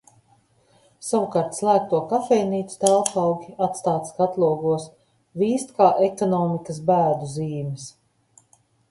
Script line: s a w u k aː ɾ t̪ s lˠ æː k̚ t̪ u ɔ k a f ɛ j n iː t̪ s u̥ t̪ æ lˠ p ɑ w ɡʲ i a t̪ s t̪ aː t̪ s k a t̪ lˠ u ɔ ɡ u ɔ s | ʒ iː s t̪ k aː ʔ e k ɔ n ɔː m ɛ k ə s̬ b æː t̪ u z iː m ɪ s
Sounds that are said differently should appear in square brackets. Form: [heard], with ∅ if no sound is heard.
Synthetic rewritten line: s a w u k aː ɾ t̪ s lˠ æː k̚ t̪ u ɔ k a f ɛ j n iː t̪ s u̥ t̪ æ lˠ p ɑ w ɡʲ i a t̪ s t̪ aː t̪ s k a t̪ lˠ u ɔ ɡ u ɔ s | [v] iː s t̪ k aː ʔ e k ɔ n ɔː m [i] k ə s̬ b æː [d̪] u z iː m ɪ s